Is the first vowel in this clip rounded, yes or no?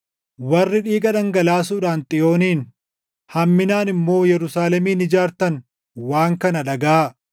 no